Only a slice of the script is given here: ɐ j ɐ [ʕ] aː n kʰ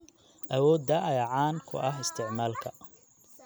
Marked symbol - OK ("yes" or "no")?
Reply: yes